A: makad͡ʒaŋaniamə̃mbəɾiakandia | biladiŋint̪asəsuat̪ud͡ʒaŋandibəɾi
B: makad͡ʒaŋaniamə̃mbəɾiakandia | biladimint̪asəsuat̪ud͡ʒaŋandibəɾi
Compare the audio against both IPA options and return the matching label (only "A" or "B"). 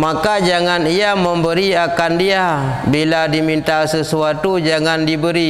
B